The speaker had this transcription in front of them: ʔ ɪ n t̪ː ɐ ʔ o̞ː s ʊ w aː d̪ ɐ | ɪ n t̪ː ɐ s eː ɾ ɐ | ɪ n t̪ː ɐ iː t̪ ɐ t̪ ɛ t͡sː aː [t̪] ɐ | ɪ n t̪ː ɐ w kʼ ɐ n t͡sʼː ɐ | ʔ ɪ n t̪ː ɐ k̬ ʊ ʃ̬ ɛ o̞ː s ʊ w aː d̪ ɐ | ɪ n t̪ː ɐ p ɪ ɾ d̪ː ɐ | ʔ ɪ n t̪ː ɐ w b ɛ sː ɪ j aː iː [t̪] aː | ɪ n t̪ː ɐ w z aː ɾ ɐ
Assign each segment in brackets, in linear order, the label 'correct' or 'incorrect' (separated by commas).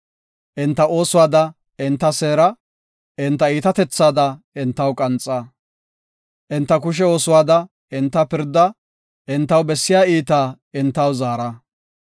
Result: incorrect, correct